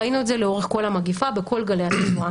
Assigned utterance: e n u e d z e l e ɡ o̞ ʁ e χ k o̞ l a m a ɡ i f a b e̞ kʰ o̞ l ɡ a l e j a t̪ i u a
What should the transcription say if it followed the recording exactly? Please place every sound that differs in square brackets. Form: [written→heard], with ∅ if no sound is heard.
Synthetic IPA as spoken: [e→i] n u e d z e l e [ɡ→∅] o̞ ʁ e χ k o̞ l a m a ɡ i f a b e̞ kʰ o̞ l ɡ a l e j a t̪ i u a

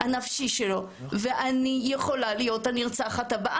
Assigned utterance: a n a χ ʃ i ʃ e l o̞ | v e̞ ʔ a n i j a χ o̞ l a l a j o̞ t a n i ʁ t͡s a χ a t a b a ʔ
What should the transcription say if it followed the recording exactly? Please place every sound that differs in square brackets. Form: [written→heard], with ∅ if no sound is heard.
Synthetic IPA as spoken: a n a [χ→f] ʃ i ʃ e l o̞ | v e̞ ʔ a n i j [a→e] χ o̞ l a l [a→i] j o̞ t a n i ʁ t͡s a χ a t a b a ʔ

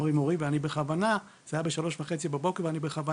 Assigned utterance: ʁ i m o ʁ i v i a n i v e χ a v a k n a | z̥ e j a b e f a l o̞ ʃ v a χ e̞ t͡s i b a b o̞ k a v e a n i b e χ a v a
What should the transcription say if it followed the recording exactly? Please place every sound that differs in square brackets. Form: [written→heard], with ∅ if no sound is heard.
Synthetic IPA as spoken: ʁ i m o ʁ i v [i→e] a n i [v→b] e χ a v a [k→∅] n a | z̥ [e→a] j a b e [f→ʃ] a l o̞ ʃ v a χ e̞ t͡s i b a b o̞ k [a→e] v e a n i b e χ a v a

